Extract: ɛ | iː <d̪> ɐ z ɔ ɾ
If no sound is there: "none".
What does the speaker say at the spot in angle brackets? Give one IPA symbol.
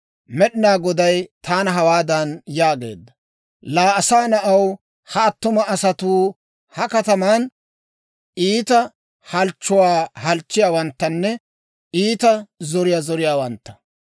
t̪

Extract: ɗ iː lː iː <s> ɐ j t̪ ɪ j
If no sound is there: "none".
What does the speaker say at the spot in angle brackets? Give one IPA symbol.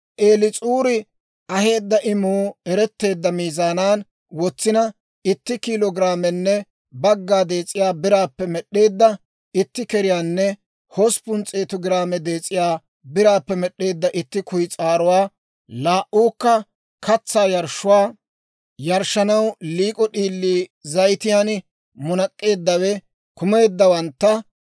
z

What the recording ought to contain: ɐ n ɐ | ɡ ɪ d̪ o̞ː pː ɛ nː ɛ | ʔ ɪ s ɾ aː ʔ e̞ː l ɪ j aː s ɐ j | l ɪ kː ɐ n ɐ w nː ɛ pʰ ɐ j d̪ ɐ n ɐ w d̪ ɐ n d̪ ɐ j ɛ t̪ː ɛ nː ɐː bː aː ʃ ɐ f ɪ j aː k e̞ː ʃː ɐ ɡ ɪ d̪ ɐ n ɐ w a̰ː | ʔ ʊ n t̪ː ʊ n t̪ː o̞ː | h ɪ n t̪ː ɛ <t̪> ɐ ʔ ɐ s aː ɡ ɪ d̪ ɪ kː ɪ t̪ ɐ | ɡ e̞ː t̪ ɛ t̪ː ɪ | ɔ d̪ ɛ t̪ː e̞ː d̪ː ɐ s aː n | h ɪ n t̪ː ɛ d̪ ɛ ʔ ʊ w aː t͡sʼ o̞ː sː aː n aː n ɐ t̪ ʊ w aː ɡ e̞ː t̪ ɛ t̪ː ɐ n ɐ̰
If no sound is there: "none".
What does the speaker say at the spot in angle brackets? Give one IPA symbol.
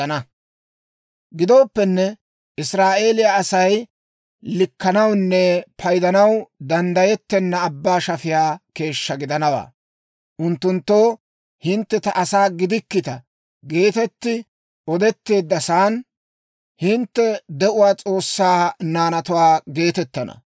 t̪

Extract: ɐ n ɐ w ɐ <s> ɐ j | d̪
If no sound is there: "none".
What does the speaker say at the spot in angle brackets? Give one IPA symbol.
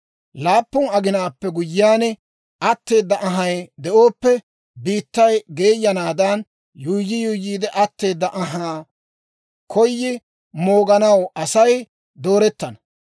s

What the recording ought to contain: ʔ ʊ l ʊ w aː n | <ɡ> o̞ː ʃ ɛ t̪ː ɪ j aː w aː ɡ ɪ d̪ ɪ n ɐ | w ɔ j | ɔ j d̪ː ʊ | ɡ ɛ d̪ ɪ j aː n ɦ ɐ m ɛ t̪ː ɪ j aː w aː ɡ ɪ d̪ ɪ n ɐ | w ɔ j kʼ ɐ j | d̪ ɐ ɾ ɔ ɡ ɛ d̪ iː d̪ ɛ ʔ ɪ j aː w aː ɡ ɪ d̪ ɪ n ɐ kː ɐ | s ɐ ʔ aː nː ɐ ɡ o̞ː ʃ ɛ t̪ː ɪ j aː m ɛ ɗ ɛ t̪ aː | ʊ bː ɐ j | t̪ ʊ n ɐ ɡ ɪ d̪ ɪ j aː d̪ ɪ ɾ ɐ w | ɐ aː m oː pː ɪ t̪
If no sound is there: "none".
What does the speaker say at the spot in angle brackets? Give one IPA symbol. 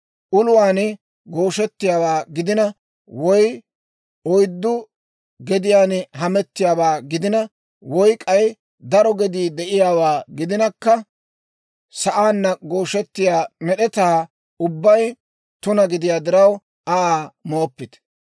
ɡ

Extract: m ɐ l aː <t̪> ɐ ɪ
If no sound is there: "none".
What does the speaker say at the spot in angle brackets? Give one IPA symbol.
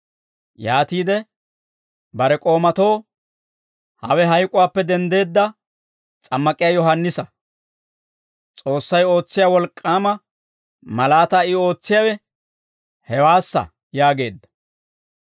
t̪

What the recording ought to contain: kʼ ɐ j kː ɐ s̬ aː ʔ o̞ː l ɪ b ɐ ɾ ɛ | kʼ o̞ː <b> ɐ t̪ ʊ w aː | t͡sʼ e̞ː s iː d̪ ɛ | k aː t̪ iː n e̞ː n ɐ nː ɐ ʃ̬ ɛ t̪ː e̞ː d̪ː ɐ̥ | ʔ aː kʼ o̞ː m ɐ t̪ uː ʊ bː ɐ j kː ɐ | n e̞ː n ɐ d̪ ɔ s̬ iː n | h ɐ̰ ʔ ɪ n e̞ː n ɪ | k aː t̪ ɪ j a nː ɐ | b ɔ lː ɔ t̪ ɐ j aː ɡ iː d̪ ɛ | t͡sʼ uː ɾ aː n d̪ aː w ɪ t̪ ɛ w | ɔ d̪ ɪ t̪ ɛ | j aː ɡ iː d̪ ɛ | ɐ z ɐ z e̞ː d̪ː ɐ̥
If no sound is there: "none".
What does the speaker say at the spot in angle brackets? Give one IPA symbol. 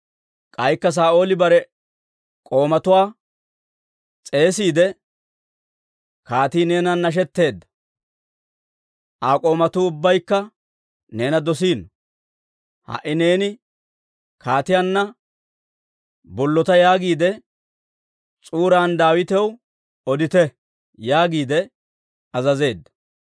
m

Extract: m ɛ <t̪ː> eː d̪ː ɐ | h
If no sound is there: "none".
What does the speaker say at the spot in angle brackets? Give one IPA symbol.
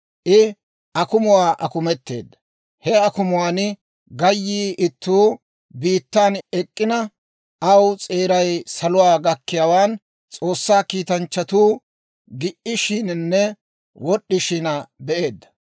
t̪ː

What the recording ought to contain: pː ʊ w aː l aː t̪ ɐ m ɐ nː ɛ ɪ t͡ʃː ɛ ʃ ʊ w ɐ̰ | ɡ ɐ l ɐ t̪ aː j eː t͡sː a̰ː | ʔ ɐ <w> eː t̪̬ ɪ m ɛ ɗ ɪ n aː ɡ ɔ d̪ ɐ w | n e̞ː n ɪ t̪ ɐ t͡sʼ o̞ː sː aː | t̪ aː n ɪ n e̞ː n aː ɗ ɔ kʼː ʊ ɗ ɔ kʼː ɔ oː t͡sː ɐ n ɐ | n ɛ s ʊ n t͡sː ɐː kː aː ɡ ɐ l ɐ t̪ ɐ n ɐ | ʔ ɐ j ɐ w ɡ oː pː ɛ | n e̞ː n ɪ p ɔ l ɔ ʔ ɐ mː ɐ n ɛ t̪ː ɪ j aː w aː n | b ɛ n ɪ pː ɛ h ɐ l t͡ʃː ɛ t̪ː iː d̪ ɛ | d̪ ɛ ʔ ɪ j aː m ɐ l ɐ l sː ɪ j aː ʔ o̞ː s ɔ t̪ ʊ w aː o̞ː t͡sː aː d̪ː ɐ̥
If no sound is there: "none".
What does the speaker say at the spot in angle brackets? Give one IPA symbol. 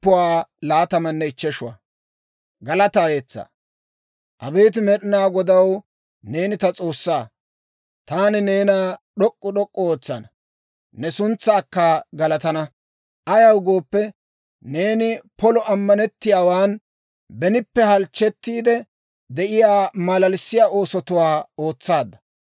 b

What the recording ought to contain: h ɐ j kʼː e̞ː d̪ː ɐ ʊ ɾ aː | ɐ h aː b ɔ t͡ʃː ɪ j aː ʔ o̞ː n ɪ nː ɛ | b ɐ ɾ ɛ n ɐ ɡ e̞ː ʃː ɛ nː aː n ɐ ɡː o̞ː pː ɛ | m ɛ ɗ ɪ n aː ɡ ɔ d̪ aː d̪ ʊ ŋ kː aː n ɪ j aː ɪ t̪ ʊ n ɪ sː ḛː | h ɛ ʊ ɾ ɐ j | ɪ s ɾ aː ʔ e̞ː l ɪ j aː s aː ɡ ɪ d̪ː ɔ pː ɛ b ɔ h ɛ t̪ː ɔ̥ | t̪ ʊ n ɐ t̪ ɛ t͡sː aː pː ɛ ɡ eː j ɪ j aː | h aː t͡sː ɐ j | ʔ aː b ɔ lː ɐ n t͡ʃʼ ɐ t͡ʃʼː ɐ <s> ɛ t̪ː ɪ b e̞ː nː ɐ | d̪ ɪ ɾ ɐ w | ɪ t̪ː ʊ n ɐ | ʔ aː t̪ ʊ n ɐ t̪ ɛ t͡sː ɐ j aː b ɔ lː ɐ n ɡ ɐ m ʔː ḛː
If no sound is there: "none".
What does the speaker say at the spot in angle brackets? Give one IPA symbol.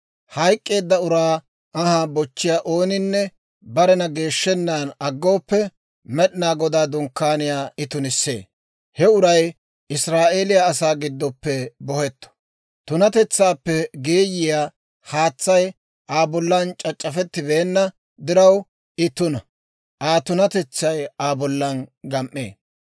f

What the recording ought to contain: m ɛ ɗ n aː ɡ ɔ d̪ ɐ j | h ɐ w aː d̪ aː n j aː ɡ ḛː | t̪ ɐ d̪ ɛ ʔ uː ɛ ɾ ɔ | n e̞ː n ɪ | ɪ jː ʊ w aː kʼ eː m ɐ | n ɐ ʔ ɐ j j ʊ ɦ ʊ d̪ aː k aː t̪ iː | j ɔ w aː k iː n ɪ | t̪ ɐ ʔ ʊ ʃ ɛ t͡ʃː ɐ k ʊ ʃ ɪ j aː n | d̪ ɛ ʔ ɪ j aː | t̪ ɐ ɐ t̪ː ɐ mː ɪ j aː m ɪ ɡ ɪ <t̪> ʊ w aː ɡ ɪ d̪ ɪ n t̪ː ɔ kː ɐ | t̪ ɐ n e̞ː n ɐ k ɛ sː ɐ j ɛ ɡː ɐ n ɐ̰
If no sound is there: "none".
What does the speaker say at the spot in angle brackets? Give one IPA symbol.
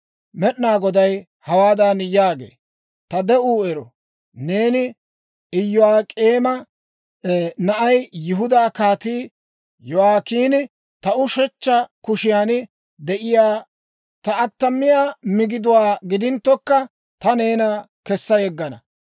d̪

